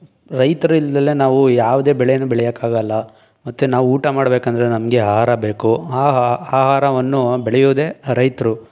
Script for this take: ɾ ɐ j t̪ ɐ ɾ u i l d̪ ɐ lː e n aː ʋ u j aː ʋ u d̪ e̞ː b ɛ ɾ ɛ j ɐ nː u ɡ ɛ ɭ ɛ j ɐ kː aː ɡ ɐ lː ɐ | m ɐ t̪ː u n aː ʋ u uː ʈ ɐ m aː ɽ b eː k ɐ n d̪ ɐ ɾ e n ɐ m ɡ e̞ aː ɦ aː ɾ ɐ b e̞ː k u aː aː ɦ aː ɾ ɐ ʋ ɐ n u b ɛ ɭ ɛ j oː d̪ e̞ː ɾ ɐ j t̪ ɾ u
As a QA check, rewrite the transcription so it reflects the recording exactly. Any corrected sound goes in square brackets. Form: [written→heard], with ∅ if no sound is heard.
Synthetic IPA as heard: ɾ ɐ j t̪ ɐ ɾ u i l d̪ ɐ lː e n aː ʋ u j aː ʋ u d̪ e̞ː b ɛ [ɾ→ɭ] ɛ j ɐ nː u [ɡ→b] ɛ ɭ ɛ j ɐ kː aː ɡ ɐ lː ɐ | m ɐ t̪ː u n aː ʋ u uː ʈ ɐ m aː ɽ b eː k ɐ n d̪ ɐ ɾ e n ɐ m ɡ e̞ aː ɦ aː ɾ ɐ b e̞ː k u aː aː ɦ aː ɾ ɐ ʋ ɐ [n→nː] u b ɛ ɭ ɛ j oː d̪ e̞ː ɾ ɐ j t̪ ɾ u

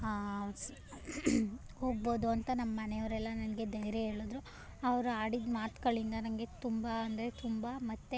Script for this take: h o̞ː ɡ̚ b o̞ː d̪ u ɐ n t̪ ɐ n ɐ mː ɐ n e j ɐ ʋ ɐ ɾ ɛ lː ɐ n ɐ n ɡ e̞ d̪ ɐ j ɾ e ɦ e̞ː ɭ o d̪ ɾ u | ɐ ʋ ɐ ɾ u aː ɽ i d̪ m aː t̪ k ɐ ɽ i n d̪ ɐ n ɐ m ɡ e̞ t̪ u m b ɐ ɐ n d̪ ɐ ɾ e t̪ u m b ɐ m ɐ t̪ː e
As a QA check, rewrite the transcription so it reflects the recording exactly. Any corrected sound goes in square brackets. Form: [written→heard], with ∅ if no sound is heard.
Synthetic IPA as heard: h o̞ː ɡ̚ b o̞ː d̪ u ɐ n t̪ ɐ n ɐ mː ɐ n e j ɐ ʋ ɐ ɾ ɛ lː ɐ n ɐ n ɡ e̞ d̪ ɐ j ɾ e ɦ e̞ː ɭ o d̪ ɾ u | ɐ ʋ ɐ ɾ u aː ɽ i d̪ m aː t̪ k ɐ [ɽ→ɭ] i n d̪ ɐ n ɐ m ɡ e̞ t̪ u m b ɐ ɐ n d̪ ɐ ɾ e t̪ u m b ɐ m ɐ t̪ː e

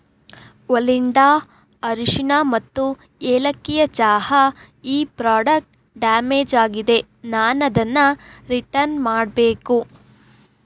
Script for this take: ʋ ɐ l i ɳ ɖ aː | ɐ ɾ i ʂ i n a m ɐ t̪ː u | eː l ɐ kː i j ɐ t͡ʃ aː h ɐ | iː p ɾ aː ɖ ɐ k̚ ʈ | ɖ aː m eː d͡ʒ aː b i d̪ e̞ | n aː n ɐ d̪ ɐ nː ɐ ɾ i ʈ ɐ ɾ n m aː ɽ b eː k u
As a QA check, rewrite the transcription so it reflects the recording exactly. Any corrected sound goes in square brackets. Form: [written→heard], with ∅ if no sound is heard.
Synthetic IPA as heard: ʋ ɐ l i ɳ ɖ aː | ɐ ɾ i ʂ i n a m ɐ t̪ː u | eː l ɐ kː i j ɐ t͡ʃ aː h ɐ | iː p ɾ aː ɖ ɐ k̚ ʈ | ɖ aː m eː d͡ʒ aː [b→ɡ] i d̪ e̞ | n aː n ɐ d̪ ɐ nː ɐ ɾ i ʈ ɐ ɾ n m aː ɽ b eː k u

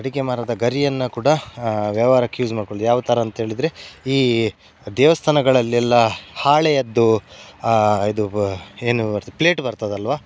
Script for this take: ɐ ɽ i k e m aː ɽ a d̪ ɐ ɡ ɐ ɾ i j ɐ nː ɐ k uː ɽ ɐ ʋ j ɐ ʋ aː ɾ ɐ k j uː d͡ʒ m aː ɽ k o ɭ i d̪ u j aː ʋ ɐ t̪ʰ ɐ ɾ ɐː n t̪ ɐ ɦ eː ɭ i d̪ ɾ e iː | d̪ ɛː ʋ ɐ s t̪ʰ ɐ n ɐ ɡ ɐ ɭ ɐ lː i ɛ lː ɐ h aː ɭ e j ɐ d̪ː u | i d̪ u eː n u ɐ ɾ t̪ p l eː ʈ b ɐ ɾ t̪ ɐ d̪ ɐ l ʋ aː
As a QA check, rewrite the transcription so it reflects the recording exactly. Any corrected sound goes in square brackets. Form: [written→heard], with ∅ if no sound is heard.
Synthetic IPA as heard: ɐ ɽ i k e m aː [ɽ→ɾ] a d̪ ɐ ɡ ɐ ɾ i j ɐ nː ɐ k uː ɽ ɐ ʋ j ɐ ʋ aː ɾ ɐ k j uː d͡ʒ m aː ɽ k o ɭ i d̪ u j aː ʋ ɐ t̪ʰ ɐ ɾ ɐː n t̪ ɐ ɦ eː ɭ i d̪ ɾ e iː | d̪ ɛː ʋ ɐ s t̪ʰ ɐ n ɐ ɡ ɐ ɭ ɐ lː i ɛ lː ɐ h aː ɭ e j ɐ d̪ː u | i d̪ u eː n u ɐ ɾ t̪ p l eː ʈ b ɐ ɾ t̪ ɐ d̪ ɐ l ʋ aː

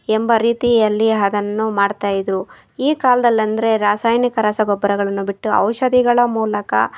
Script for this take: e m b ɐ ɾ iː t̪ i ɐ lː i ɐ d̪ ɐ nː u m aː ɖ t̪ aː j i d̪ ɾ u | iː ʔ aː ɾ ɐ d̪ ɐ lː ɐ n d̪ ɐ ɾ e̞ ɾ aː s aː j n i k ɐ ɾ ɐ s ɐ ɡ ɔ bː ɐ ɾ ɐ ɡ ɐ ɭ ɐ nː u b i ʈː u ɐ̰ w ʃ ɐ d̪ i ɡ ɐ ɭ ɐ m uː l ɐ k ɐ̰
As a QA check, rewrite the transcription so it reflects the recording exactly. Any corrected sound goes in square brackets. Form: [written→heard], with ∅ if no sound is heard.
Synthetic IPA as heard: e m b ɐ ɾ iː t̪ i ɐ lː i ɐ d̪ ɐ nː u m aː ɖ t̪ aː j i d̪ ɾ u | iː [ʔ→k] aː [ɾ→l] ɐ d̪ ɐ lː ɐ n d̪ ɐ ɾ e̞ ɾ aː s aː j n i k ɐ ɾ ɐ s ɐ ɡ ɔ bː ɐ ɾ ɐ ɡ ɐ ɭ ɐ nː u b i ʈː u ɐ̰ w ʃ ɐ d̪ i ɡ ɐ ɭ ɐ m uː l ɐ k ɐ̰

